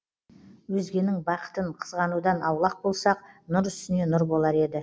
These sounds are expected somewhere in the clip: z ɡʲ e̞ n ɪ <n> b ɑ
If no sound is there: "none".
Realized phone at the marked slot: ŋ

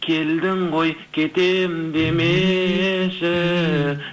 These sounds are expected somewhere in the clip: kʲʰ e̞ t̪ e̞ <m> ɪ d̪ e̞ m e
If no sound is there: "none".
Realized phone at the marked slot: m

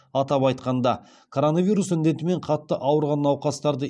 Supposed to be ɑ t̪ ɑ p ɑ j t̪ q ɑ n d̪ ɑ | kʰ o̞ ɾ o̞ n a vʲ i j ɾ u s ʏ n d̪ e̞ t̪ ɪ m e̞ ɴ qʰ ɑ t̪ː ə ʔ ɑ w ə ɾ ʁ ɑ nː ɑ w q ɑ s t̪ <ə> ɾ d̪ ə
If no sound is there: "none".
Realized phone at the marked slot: ɑ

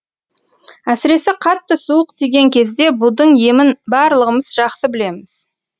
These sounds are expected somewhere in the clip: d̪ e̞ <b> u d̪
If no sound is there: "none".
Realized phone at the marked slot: b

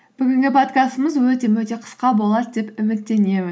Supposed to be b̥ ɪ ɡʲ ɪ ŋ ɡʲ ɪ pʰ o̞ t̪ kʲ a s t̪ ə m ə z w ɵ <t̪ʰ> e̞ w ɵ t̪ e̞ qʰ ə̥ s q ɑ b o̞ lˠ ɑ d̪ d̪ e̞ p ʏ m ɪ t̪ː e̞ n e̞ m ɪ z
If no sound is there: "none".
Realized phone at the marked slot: t̪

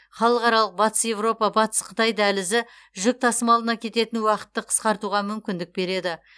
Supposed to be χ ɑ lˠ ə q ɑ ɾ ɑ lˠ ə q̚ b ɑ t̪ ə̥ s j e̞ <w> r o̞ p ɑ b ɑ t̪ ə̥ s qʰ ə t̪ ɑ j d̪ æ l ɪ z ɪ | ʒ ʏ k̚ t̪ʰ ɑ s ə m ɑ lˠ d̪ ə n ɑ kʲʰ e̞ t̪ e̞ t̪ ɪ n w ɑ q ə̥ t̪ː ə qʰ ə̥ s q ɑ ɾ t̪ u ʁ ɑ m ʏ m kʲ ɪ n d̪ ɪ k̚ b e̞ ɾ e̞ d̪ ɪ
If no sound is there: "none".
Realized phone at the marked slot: v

